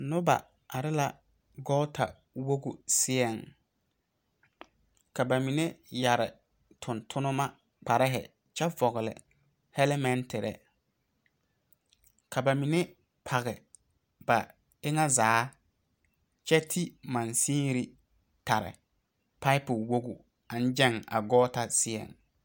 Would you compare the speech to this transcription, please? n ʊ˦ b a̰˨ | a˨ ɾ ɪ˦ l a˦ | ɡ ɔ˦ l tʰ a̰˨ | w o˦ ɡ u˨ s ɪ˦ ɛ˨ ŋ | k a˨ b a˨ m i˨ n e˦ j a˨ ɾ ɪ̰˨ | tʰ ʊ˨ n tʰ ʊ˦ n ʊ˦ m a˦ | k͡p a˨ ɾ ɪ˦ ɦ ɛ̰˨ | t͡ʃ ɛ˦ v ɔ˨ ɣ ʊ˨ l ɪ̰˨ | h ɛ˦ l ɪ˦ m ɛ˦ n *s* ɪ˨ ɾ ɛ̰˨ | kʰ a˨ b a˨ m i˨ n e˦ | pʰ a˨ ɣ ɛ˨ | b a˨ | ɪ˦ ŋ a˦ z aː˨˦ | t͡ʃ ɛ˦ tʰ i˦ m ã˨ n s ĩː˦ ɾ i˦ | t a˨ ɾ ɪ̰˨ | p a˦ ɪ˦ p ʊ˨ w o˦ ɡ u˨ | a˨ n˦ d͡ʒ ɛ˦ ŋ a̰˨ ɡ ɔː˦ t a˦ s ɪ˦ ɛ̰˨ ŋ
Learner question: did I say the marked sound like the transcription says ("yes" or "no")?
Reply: no